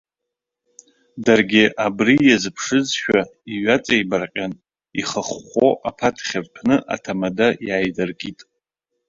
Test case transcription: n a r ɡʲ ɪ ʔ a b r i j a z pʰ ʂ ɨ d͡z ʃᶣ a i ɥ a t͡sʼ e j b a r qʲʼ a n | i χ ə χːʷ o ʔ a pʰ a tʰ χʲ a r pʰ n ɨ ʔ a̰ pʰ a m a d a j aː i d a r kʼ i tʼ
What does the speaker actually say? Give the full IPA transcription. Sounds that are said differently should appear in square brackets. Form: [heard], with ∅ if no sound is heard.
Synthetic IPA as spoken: [d] a r ɡʲ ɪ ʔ a b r i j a z pʰ ʂ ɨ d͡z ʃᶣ a i ɥ a t͡sʼ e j b a r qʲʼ a n | i χ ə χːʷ o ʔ a pʰ a tʰ χʲ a r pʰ n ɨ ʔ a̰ [tʰ] a m a d a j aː [j] d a r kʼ i tʼ